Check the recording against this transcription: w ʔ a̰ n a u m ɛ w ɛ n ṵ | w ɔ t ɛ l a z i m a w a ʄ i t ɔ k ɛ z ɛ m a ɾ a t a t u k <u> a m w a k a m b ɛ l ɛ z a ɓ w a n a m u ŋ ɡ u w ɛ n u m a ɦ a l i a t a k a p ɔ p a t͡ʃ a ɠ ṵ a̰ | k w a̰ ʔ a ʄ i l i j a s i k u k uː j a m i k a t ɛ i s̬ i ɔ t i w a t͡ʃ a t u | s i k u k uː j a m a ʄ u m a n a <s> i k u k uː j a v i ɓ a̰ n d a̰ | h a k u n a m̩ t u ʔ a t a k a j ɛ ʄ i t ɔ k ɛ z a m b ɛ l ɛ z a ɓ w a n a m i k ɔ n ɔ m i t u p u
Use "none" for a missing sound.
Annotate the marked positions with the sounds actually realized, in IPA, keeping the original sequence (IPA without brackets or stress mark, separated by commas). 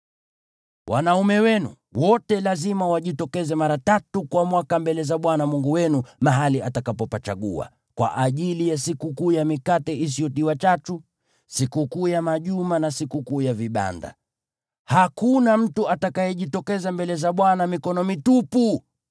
w, s